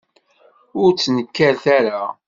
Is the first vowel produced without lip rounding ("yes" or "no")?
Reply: no